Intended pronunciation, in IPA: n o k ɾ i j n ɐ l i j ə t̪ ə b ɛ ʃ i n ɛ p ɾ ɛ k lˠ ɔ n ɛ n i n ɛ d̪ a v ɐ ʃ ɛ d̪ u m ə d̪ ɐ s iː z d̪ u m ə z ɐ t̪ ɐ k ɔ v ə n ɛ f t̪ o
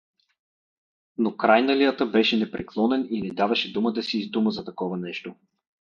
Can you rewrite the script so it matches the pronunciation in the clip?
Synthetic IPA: n o k ɾ a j n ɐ l i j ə t̪ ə b ɛ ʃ ɛ n ɛ p ɾ ɛ k lˠ ɔ n ɛ n i n ɛ d̪ a v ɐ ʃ ɛ d̪ u m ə d̪ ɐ s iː z d̪ u m ə z ɐ t̪ ɐ k ɔ v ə n ɛ ʃ t̪ o